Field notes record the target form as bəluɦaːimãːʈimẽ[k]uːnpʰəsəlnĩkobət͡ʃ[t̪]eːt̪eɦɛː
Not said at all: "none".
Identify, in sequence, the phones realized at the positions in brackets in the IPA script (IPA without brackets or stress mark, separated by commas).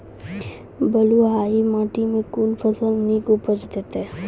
k, d̪